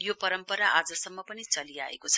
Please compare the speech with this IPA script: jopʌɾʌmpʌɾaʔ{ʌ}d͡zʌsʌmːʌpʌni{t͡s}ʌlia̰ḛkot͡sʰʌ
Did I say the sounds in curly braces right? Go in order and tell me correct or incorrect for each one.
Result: incorrect, correct

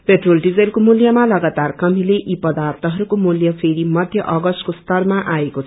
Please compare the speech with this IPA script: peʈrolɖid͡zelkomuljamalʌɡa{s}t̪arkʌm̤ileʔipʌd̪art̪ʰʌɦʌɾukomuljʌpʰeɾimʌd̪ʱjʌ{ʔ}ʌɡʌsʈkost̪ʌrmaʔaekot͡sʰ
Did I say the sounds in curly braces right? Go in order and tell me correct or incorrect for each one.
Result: incorrect, correct

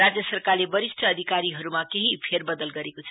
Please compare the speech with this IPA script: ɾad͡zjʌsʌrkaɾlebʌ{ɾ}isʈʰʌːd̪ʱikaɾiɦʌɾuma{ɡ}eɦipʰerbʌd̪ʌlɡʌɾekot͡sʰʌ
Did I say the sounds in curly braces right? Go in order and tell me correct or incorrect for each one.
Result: correct, incorrect

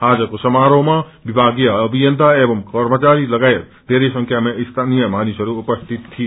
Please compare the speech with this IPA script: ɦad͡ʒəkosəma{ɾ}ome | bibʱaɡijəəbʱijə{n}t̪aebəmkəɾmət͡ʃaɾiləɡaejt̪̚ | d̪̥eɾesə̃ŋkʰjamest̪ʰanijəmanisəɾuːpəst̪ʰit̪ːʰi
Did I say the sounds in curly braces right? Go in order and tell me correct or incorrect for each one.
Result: correct, correct

